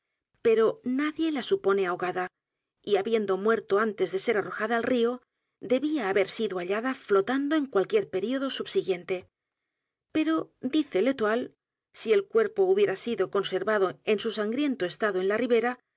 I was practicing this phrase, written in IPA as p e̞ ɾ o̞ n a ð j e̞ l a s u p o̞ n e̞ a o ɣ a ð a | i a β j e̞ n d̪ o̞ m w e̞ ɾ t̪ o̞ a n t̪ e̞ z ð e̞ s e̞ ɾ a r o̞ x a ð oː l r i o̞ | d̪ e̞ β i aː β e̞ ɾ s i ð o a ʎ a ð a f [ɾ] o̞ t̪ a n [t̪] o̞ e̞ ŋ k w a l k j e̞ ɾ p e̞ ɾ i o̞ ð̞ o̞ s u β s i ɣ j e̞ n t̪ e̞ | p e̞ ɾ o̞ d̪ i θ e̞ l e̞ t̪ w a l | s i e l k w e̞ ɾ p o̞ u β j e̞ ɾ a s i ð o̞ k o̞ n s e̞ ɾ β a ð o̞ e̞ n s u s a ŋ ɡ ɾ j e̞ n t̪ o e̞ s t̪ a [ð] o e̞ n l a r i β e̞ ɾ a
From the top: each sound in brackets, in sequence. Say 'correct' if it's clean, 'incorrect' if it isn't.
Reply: incorrect: l, incorrect: d̪, correct

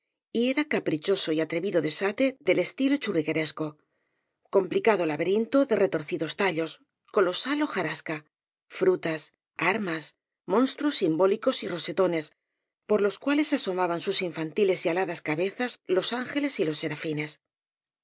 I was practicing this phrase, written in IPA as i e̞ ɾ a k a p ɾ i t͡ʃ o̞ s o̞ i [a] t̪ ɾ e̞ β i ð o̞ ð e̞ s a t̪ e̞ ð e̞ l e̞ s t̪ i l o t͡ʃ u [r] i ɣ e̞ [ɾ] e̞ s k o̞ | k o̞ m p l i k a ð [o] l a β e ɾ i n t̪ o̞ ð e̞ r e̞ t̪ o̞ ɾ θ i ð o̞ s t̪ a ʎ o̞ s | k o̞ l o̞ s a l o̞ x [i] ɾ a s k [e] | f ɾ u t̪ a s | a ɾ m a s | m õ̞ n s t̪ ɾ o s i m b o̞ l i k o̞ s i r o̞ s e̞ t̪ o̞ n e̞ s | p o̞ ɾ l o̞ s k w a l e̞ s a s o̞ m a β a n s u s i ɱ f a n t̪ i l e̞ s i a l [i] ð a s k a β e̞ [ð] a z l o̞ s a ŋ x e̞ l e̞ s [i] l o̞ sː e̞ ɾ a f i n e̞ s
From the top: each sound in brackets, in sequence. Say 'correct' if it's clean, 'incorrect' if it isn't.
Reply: correct, correct, correct, correct, incorrect: a, incorrect: a, incorrect: a, incorrect: θ, correct

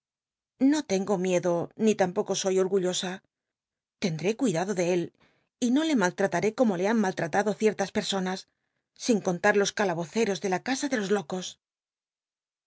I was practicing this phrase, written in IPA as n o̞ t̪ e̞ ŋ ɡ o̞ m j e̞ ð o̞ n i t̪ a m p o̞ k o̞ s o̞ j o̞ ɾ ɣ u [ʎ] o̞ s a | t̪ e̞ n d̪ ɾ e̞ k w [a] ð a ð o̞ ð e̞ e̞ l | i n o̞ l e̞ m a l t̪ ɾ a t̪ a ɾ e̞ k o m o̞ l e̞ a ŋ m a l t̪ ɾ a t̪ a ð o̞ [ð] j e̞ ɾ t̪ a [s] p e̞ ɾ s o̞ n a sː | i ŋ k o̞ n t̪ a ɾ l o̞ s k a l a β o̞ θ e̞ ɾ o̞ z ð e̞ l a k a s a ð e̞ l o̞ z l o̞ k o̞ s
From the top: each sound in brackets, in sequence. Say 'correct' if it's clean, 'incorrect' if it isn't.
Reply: correct, incorrect: i, incorrect: θ, correct

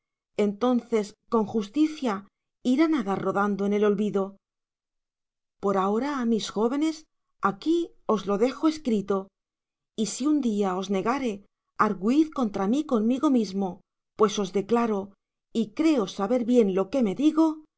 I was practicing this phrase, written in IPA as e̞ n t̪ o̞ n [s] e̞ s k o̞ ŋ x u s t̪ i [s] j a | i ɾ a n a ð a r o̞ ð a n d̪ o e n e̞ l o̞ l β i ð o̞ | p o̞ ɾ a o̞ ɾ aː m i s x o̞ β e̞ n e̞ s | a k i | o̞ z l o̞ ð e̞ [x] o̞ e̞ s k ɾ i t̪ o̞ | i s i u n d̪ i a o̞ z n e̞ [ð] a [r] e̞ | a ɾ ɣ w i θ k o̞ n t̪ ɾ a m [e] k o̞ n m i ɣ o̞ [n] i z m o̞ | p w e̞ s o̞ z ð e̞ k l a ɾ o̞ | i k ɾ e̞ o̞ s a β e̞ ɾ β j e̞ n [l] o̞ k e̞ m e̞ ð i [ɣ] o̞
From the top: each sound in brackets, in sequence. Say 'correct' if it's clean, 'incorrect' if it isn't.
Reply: incorrect: θ, incorrect: θ, correct, incorrect: ɣ, incorrect: ɾ, incorrect: i, incorrect: m, correct, correct

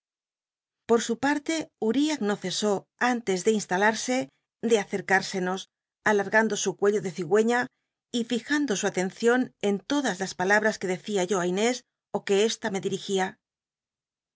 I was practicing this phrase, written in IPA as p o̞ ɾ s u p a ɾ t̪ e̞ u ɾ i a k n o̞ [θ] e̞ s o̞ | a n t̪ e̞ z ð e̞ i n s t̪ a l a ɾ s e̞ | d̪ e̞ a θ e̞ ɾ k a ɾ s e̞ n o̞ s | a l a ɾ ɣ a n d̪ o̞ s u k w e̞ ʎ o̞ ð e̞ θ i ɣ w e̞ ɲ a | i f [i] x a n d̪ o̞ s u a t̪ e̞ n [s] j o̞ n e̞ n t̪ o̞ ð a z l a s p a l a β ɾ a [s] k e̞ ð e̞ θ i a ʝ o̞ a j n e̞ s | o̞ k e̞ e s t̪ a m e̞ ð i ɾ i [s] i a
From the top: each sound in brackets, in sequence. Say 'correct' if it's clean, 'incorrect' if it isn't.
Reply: correct, correct, incorrect: θ, correct, incorrect: x

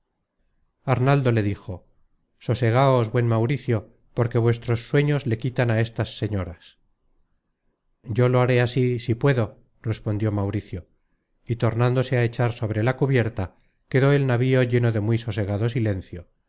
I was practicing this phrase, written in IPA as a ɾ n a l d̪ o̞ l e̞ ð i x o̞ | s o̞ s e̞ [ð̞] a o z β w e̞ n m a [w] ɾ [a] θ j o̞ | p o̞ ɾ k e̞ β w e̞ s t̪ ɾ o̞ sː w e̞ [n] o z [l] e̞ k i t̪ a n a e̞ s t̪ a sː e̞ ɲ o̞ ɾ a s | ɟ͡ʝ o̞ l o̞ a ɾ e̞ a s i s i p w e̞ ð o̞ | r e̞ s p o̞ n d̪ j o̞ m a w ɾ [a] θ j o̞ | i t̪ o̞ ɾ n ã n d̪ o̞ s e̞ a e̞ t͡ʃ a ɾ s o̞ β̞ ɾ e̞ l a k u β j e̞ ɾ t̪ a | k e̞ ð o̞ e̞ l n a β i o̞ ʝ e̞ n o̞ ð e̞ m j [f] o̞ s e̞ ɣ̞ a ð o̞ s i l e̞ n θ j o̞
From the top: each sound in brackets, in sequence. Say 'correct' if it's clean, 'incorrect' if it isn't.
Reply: incorrect: ɣ̞, correct, incorrect: i, incorrect: ɲ, correct, incorrect: i, incorrect: s

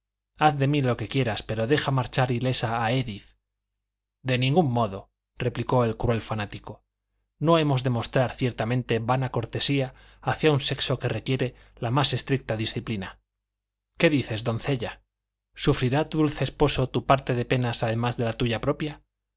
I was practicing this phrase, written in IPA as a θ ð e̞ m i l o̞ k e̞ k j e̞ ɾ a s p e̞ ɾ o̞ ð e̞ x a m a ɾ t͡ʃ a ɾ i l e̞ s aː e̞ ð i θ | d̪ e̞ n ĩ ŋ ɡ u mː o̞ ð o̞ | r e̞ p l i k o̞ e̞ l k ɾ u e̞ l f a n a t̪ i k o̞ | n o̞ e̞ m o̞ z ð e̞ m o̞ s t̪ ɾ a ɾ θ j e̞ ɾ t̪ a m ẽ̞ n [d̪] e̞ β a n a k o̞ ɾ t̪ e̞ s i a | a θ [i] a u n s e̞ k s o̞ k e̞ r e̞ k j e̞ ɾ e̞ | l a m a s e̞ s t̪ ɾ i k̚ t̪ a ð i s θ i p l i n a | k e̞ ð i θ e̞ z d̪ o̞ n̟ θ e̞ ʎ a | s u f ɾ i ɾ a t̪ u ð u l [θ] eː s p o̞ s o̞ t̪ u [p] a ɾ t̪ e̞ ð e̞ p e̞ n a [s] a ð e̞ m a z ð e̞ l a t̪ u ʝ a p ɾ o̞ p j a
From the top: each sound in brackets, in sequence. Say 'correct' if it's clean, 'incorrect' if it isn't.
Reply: incorrect: t̪, incorrect: j, correct, correct, correct

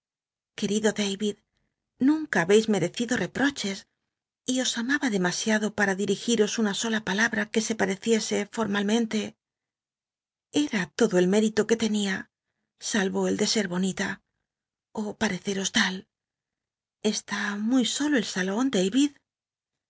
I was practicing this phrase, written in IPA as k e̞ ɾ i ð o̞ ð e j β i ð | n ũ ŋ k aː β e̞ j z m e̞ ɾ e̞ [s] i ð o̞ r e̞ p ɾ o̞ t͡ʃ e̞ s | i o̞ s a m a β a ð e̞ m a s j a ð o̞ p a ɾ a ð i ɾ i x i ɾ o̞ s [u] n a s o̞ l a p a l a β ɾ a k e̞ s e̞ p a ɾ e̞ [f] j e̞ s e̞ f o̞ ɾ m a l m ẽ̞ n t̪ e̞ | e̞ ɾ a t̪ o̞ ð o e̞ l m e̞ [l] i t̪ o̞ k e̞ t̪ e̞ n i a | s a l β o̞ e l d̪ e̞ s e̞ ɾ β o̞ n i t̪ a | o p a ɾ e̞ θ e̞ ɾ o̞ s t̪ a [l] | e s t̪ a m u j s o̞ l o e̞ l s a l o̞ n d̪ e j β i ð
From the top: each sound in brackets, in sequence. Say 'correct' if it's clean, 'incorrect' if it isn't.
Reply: incorrect: θ, correct, incorrect: θ, incorrect: ɾ, correct

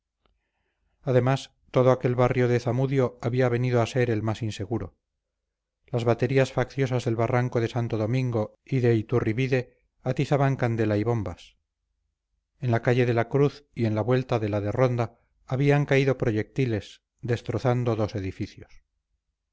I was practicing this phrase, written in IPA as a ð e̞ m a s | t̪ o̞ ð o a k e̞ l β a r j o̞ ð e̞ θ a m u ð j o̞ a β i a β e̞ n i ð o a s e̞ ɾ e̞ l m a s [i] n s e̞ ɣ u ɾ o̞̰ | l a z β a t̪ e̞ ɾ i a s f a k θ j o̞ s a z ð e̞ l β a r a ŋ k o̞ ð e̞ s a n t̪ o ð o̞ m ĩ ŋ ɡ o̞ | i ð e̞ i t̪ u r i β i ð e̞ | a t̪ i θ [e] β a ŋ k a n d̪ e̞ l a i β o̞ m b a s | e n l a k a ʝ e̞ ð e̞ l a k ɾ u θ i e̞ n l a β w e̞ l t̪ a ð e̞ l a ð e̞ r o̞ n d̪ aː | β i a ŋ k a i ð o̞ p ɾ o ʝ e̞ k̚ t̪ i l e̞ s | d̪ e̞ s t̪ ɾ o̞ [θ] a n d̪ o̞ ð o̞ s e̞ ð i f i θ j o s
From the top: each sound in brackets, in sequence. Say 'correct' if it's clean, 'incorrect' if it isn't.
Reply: correct, incorrect: a, correct

